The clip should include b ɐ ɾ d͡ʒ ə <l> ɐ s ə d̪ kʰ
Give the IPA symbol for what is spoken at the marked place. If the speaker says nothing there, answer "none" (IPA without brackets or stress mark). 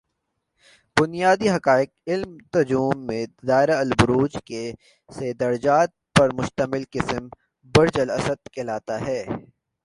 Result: l